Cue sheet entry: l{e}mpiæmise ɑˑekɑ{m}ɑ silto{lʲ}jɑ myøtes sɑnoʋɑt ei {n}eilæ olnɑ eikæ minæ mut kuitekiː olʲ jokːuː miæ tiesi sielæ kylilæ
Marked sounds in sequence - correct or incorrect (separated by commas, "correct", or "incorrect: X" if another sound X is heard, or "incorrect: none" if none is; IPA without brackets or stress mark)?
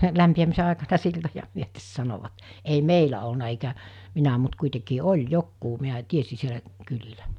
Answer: incorrect: æ, incorrect: n, incorrect: none, incorrect: m